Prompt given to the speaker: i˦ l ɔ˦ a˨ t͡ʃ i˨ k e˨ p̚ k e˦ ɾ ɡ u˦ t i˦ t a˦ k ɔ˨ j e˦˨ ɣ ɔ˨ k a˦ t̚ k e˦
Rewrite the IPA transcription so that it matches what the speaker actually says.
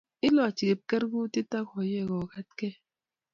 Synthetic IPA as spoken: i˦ l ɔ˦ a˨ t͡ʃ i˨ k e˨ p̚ k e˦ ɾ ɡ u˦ t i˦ t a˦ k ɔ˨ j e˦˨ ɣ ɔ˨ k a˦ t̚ k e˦

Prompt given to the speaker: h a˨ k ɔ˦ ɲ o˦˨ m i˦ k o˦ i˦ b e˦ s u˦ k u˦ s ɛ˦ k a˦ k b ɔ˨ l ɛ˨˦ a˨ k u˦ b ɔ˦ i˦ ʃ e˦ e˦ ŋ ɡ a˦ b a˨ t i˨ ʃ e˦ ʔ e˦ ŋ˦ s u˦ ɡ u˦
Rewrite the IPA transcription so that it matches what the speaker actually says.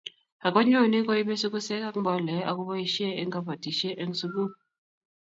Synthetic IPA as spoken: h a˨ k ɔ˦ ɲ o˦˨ n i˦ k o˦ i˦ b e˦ s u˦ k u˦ s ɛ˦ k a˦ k b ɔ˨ l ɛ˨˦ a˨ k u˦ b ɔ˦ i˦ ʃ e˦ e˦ ŋ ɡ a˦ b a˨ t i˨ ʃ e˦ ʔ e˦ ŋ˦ s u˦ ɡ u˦

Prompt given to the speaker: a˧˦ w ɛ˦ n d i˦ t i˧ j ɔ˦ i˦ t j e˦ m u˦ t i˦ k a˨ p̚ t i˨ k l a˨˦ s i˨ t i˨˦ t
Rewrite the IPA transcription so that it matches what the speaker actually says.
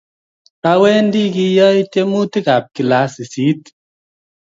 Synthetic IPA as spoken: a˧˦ w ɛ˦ n d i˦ k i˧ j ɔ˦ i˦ t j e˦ m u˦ t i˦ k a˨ p̚ k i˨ l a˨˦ s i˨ s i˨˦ t

